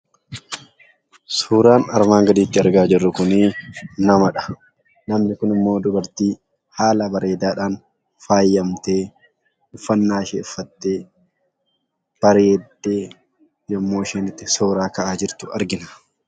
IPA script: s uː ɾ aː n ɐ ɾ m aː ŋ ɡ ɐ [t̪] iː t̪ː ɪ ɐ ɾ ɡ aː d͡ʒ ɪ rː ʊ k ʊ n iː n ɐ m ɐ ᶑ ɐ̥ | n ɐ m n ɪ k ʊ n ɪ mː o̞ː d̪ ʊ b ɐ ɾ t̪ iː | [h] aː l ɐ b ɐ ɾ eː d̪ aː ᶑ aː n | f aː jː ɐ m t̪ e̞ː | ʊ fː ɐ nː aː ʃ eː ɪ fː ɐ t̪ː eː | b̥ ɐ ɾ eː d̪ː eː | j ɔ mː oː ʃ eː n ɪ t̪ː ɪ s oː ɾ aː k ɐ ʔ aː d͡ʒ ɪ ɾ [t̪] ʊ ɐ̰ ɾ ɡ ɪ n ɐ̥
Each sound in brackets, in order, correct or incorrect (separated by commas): incorrect, correct, correct